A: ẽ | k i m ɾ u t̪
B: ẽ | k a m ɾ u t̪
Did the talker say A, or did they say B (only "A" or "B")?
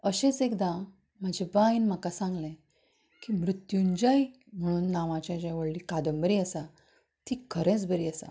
A